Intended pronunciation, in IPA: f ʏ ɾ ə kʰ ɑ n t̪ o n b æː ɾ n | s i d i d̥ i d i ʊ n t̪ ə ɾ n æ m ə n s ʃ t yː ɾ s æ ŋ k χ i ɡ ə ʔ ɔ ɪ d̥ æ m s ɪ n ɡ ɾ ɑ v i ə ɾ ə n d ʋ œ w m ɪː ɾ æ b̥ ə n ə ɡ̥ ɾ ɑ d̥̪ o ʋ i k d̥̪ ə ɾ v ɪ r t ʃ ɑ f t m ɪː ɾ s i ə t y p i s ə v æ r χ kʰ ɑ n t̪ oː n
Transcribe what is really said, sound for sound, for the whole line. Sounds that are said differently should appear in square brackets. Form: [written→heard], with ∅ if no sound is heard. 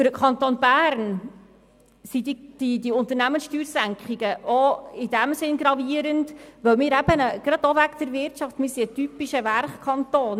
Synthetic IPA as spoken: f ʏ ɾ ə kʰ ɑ n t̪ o n b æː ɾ n | s i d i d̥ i d i ʊ n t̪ ə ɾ n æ m ə n s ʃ t yː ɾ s æ ŋ k χ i ɡ ə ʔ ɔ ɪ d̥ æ m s ɪ n ɡ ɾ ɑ v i ə ɾ ə n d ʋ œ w m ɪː ɾ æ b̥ ə n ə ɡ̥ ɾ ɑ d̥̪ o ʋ [i→æ] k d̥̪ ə ɾ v ɪ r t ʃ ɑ f t m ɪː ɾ s i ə t y p i [s→ʃ] ə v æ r χ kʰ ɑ n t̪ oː n

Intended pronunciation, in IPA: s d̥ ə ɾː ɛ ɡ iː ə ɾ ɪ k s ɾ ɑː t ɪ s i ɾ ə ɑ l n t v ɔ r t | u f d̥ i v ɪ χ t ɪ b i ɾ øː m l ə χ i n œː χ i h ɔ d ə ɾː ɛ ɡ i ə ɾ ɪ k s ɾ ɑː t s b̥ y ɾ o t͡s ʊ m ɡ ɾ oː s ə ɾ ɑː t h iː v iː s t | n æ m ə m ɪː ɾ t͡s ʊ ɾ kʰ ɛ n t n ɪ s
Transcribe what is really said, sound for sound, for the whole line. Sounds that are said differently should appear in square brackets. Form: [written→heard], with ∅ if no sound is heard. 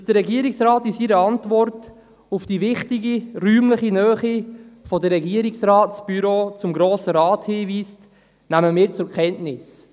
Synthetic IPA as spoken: s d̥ ə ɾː ɛ ɡ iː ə ɾ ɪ k s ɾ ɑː t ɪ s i ɾ ə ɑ [l→∅] n t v ɔ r t | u f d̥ i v ɪ χ t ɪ [b→ɡ] i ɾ [øː→yː] m l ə χ i n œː χ i [h→f] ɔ d ə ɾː ɛ ɡ i ə ɾ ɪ k s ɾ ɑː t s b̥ y ɾ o t͡s ʊ m ɡ ɾ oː s ə ɾ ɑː t h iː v iː s t | n æ m ə m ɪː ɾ t͡s ʊ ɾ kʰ ɛ n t n ɪ s

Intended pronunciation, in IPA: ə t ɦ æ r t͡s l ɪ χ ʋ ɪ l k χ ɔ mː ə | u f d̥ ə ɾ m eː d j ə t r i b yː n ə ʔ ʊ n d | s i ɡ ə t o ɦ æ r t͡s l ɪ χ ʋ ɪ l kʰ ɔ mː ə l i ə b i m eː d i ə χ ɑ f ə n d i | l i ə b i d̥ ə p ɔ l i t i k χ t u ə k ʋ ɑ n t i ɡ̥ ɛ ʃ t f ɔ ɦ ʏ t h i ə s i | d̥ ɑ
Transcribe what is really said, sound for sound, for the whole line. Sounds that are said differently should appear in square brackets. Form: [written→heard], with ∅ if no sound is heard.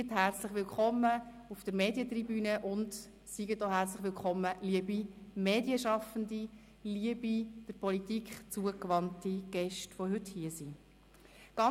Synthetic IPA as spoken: ə t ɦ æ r t͡s l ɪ χ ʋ ɪ l k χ ɔ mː ə | u f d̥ ə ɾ m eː d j ə t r i b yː n ə ʔ ʊ n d | s i ɡ ə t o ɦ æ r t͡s l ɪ χ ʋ ɪ l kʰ ɔ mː ə l i ə b i m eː d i ə [χ→ʃ] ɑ f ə n d i | l i ə b i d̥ ə p ɔ l i t i k χ [t→t͡s] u ə k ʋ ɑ n t i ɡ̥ ɛ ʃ t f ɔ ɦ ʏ t h i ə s i | [d̥→ɡ̥] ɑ

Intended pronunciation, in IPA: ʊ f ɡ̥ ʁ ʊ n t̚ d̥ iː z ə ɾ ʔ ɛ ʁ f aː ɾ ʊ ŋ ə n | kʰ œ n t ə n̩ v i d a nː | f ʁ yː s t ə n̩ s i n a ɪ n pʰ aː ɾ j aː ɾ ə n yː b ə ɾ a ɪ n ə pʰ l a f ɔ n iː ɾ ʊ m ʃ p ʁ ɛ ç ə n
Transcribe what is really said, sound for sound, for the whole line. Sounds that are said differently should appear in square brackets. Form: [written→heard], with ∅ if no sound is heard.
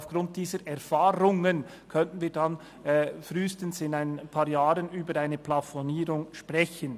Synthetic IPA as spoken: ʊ f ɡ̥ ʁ ʊ n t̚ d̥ iː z ə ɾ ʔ ɛ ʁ f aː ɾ ʊ ŋ ə n | kʰ œ n t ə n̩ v [i→iː] d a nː | f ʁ yː s t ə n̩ s [i→ɪ] n a ɪ n pʰ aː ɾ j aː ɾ ə n yː b ə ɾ a ɪ n ə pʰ l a f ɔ n iː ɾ ʊ [m→ŋ] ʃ p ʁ ɛ ç ə n

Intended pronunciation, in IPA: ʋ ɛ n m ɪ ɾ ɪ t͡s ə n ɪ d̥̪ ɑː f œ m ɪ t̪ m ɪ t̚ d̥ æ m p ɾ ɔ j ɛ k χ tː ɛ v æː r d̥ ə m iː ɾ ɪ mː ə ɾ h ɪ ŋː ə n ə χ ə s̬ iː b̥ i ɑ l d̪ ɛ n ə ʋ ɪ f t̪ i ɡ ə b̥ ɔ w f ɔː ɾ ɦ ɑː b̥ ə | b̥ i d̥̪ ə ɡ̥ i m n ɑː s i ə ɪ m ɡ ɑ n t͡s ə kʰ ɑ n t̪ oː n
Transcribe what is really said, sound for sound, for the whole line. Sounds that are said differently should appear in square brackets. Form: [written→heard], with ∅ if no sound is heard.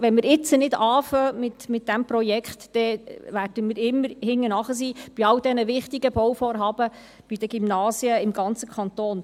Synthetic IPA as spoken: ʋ ɛ n m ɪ ɾ ɪ t͡s ə n ɪ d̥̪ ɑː f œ m ɪ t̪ m ɪ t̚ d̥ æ m p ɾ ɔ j ɛ k χ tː ɛ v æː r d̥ ə m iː ɾ ɪ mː ə ɾ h ɪ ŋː ə n [ə→ɑ] χ ə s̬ iː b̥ i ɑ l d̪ ɛ n ə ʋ ɪ [f→χ] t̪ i ɡ ə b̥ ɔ w f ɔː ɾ ɦ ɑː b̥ ə | b̥ i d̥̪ ə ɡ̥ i m n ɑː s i ə ɪ m ɡ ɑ n t͡s ə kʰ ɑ n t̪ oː n

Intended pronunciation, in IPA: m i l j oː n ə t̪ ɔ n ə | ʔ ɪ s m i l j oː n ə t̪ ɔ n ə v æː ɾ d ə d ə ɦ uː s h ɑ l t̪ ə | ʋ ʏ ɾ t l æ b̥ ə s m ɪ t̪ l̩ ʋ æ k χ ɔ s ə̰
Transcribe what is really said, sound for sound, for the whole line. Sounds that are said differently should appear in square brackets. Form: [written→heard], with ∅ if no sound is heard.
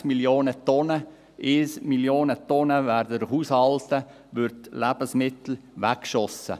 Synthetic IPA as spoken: m i l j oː n ə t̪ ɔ n ə | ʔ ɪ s m i l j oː n ə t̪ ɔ n ə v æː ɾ d ə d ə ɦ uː s h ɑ l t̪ ə | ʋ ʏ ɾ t l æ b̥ ə s m ɪ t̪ l̩ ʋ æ k [χ→ʃ] ɔ s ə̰

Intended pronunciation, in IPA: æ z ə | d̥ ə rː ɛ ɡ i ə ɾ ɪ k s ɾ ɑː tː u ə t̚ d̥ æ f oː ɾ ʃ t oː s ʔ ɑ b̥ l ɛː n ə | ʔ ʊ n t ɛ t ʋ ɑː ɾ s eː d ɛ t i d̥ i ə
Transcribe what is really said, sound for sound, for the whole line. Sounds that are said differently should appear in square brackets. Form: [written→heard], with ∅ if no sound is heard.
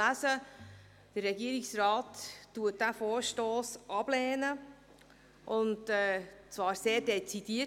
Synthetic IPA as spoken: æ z ə | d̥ ə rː ɛ ɡ i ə ɾ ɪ k s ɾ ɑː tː u ə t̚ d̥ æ f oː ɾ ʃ t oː s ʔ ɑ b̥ l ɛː n ə | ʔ ʊ n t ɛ [t→t͡s] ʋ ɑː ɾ s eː d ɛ [t→t͡s] i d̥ i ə

